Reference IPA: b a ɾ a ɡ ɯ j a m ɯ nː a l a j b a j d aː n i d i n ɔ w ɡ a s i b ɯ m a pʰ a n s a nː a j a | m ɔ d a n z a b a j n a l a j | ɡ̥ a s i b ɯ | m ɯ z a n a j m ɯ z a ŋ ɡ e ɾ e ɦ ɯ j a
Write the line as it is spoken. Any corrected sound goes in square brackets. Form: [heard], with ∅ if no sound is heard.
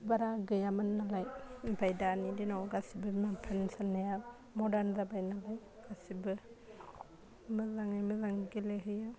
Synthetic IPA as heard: b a ɾ a ɡ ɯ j a m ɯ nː a l a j b a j d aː n i d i n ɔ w ɡ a s i b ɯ m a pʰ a n s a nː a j a | m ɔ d a n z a b a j n a l a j | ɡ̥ a s i b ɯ | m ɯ z a [ŋ] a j m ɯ z a ŋ ɡ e [l] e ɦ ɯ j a